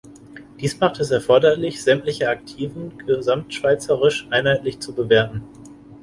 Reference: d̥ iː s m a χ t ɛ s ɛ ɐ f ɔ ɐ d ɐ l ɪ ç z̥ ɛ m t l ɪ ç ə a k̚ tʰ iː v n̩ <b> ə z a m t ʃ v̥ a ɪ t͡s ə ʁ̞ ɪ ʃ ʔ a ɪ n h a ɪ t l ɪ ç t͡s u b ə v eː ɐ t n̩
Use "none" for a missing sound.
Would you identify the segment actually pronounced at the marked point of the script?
ɡ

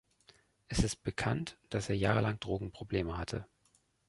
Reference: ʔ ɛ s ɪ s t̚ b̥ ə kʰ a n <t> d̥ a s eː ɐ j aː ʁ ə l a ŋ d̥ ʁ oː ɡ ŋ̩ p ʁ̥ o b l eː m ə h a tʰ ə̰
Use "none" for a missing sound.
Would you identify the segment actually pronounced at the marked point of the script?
t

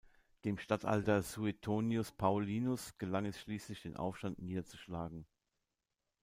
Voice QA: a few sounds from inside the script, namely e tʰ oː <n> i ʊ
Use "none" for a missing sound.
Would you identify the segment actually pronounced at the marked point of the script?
n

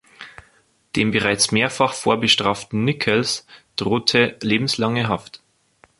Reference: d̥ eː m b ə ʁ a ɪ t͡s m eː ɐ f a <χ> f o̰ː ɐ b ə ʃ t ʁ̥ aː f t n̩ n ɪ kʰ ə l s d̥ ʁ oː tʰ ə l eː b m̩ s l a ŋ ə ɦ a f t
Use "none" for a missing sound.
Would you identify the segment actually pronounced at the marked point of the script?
χ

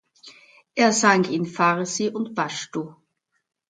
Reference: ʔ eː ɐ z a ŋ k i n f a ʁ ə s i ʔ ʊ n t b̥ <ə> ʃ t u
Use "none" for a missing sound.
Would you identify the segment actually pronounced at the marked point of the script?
a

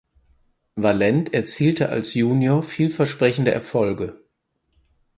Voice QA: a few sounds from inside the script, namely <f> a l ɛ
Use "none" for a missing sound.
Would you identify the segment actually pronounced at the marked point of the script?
v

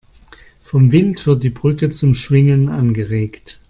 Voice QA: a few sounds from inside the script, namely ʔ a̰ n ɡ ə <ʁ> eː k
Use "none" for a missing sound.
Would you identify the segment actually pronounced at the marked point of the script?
ʁ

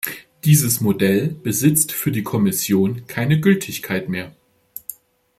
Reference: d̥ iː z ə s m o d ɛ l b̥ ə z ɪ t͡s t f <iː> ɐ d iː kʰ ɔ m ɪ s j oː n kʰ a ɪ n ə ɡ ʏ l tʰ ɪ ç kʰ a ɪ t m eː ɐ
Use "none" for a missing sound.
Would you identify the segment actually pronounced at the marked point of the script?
yː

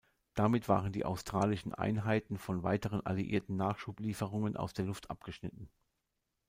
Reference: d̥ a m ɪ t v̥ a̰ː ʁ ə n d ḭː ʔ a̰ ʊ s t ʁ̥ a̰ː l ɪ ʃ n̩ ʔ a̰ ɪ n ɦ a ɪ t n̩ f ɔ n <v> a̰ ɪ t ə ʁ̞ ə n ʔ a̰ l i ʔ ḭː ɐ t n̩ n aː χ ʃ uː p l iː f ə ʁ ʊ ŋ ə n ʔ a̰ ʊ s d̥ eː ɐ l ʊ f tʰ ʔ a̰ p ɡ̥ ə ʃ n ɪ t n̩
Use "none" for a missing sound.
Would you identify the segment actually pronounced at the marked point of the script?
v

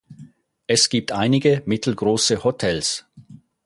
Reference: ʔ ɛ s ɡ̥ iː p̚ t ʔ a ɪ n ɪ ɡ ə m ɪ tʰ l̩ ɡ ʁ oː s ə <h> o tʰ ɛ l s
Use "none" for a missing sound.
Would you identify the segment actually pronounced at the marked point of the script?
h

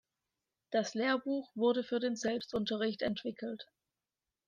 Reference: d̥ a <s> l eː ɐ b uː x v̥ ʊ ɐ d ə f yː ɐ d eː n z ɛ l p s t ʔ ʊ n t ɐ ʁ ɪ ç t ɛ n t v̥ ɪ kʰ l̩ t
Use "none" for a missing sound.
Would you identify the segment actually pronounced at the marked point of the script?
s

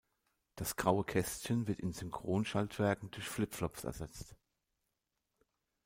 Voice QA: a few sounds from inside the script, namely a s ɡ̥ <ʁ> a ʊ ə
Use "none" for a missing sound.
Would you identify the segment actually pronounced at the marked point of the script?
ʁ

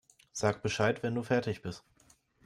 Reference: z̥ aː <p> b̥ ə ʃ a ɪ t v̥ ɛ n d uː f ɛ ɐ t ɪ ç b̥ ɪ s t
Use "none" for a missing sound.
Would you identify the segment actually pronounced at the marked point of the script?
k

